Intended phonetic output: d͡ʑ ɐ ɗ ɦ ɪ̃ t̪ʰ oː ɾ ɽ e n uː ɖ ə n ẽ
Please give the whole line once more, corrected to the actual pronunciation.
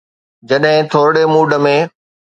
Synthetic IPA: d͡ʑ ɐ ɗ ɦ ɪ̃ t̪ʰ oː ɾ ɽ e m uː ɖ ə m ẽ